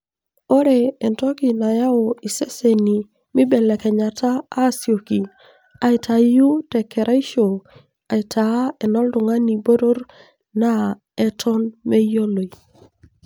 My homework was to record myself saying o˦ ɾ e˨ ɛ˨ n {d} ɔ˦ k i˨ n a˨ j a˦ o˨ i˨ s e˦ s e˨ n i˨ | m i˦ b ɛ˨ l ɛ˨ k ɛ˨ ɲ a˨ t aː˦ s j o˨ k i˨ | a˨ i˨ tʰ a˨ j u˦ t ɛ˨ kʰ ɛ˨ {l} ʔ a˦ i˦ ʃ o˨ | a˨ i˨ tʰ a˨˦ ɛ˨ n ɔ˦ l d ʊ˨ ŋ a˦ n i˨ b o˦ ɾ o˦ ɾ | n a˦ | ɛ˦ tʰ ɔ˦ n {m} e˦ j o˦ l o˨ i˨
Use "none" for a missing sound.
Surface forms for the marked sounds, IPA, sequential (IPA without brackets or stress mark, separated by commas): t, ɾ, m